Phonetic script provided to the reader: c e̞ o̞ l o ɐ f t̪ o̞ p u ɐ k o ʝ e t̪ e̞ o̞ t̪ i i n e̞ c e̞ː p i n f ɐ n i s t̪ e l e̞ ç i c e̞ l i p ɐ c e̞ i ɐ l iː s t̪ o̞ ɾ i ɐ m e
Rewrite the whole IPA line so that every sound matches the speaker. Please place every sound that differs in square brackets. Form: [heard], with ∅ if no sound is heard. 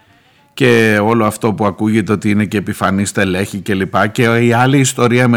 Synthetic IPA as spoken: c e̞ o̞ l o ɐ f t̪ o̞ p u ɐ k [u] ʝ e t̪ e̞ o̞ t̪ i i n e̞ c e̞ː p i [∅] f ɐ n i s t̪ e l e̞ ç i c e̞ l i p ɐ c e̞ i ɐ l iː s t̪ o̞ ɾ i ɐ m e